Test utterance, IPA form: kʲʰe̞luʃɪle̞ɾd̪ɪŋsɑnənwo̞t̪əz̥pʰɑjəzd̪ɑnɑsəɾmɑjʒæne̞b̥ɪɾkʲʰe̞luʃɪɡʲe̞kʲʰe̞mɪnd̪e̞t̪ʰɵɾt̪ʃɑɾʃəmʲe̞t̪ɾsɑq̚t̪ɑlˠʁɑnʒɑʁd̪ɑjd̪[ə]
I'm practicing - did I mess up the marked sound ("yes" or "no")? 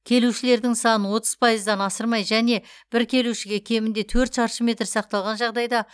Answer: yes